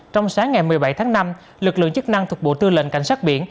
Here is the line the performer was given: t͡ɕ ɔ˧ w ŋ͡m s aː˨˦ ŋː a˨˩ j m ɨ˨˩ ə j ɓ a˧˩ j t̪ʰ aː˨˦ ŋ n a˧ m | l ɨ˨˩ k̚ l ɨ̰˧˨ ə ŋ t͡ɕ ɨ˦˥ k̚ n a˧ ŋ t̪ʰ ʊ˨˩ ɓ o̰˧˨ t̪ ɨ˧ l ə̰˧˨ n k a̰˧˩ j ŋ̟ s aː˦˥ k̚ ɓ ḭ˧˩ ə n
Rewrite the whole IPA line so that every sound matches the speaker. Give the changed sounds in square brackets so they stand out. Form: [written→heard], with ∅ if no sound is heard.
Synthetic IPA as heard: t͡ɕ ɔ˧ w ŋ͡m s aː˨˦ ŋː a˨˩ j m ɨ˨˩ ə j ɓ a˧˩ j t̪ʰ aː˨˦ ŋ n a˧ m | l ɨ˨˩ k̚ l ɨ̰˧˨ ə ŋ t͡ɕ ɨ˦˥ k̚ n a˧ ŋ t̪ʰ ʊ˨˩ ɓ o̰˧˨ t̪ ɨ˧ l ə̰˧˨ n k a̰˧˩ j ŋ̟ s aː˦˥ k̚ ɓ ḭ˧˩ ə n

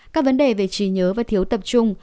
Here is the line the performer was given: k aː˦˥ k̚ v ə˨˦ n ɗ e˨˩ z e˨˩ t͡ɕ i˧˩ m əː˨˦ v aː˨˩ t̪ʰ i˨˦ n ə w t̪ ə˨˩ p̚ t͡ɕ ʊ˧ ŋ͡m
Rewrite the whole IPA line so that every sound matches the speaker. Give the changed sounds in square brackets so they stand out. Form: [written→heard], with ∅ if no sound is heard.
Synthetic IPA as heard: k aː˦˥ k̚ v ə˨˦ n ɗ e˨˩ [z→v] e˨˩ t͡ɕ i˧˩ [m→ɲ] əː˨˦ v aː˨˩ t̪ʰ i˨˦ [n→∅] ə w t̪ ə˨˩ p̚ t͡ɕ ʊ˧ ŋ͡m

